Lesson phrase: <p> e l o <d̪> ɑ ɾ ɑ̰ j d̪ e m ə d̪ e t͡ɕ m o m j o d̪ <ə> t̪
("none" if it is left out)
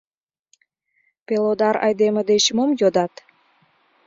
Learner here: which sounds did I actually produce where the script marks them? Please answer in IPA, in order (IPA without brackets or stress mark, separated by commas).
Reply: p, d̪, ɑ